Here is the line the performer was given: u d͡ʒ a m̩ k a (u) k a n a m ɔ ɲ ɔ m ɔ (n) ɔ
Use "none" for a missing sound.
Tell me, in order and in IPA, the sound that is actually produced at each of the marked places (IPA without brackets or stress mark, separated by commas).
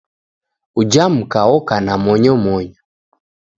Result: ɔ, ɲ